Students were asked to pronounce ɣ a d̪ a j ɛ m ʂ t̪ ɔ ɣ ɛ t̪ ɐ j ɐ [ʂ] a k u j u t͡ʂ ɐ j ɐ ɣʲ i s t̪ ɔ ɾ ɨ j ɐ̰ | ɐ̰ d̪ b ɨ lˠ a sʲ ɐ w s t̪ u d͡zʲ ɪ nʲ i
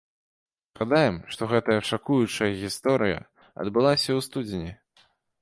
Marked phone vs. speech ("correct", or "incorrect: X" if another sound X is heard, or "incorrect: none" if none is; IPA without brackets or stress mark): correct